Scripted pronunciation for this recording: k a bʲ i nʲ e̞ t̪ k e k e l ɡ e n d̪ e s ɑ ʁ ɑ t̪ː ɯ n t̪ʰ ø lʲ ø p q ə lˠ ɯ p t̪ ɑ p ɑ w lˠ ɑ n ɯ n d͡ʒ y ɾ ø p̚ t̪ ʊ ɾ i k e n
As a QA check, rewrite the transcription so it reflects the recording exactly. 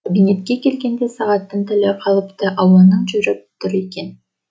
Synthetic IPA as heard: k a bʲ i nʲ e̞ t̪ k e k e l ɡ e n d̪ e s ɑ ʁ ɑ t̪ː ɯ n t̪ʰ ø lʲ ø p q ɑ lˠ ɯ p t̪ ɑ ʔ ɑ w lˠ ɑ n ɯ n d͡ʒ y ɾ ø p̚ t̪ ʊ ɾ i k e n